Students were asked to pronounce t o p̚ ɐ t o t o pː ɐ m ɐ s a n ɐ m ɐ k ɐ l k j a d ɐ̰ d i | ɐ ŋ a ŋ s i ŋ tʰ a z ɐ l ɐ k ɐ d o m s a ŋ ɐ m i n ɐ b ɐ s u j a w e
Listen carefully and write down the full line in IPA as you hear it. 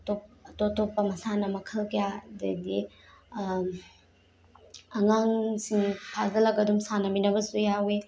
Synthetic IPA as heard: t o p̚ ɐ t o t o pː ɐ m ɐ s a n ɐ m ɐ kʰ ɐ l k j a d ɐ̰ d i | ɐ ŋ a ŋ s i ŋ pʰ a z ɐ l ɐ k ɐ d u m s a n ɐ m i n ɐ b ɐ s u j a w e